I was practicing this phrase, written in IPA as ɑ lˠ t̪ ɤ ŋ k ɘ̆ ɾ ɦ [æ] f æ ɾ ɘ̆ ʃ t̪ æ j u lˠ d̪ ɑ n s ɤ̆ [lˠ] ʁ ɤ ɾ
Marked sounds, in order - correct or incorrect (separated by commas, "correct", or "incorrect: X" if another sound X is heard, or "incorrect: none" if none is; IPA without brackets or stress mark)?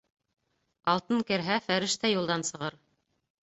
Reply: correct, incorrect: none